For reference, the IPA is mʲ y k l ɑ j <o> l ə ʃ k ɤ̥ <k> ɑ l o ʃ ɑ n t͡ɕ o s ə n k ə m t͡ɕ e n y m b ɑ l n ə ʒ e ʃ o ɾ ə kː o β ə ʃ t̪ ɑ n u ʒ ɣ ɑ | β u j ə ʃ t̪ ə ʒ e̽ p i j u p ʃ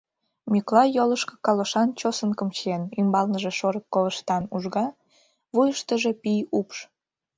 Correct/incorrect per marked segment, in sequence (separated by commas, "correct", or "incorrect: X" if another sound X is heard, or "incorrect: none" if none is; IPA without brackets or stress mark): correct, correct